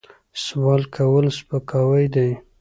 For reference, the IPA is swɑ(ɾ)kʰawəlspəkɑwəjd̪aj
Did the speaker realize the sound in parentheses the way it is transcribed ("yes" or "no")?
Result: no